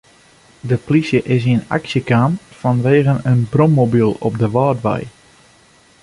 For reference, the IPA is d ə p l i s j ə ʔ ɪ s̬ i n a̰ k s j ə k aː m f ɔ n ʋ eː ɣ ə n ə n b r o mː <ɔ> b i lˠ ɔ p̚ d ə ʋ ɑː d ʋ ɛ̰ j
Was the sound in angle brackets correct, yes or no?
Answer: no